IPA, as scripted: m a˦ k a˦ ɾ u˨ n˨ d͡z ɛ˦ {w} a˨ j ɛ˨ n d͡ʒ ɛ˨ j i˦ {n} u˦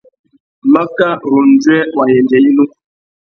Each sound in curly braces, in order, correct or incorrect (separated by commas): correct, correct